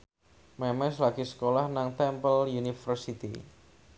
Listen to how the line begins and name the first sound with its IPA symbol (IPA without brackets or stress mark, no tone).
m